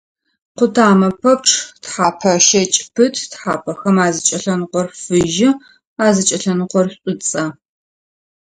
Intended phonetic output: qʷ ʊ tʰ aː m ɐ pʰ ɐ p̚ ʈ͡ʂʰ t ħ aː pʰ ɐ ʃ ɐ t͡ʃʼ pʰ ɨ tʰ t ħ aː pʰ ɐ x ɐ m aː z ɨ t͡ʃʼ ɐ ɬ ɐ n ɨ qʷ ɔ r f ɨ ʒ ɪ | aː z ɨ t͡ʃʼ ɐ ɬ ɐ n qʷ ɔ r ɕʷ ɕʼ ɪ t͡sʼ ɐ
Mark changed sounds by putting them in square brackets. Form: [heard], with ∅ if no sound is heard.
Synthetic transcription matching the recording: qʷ ʊ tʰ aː m ɐ pʰ ɐ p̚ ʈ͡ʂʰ t ħ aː pʰ ɐ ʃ ɐ t͡ʃʼ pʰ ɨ tʰ t ħ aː pʰ ɐ x ɐ m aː z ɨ t͡ʃʼ ɐ ɬ ɐ n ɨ qʷ ɔ r f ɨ ʒ ɪ | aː z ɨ t͡ʃʼ ɐ ɬ ɐ n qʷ ɔ r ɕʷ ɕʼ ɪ t͡sʼ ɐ